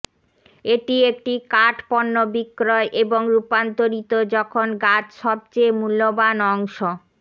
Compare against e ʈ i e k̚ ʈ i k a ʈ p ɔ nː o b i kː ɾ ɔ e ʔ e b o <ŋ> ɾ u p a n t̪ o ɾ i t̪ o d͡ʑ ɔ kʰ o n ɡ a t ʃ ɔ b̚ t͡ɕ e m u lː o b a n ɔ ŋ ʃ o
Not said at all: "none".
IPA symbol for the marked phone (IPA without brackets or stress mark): ŋ